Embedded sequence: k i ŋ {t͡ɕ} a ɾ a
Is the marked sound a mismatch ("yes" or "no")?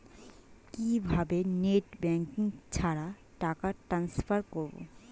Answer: yes